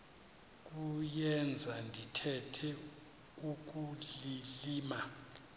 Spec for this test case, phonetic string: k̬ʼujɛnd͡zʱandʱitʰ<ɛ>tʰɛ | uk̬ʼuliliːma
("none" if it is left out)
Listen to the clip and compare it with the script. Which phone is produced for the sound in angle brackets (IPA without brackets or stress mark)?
ɛ